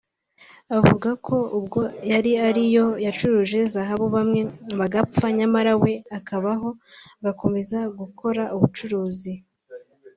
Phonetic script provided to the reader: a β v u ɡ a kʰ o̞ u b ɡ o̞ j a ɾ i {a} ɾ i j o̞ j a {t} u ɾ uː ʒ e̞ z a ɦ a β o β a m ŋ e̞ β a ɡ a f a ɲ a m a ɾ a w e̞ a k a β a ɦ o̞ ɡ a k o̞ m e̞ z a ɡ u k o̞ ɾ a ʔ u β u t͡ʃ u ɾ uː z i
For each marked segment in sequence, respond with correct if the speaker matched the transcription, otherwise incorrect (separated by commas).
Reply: correct, incorrect